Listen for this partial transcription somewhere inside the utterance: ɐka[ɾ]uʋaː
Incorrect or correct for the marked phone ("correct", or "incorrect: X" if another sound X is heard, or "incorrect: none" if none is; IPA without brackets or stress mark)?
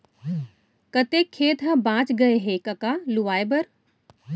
incorrect: l